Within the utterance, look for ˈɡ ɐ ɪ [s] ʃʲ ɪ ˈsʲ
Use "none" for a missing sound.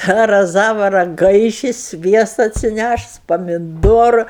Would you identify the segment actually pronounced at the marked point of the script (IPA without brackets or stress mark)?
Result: none